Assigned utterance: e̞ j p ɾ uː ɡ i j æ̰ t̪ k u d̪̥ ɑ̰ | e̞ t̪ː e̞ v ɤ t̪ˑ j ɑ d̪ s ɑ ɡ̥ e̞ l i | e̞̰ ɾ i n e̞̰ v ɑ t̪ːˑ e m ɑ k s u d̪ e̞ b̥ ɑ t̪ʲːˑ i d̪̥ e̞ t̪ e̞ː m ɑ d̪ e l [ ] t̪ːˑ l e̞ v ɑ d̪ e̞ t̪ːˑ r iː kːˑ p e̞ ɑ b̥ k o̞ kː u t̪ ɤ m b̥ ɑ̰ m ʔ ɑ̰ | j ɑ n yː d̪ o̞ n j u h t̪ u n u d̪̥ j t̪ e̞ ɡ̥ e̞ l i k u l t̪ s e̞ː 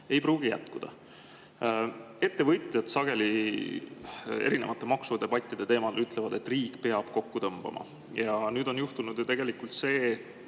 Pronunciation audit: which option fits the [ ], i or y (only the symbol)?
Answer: y